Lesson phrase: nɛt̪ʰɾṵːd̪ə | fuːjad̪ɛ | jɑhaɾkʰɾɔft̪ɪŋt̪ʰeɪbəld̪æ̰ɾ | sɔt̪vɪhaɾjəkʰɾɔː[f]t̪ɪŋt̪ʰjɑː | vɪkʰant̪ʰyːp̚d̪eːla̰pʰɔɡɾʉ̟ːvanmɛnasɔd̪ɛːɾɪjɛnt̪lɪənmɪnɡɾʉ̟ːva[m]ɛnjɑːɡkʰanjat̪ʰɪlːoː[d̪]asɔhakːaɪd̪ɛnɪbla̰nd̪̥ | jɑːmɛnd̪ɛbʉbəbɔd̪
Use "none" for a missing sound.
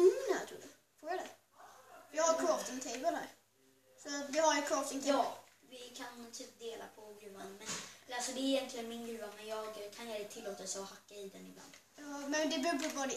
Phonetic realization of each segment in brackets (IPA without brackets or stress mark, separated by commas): f, m, t̪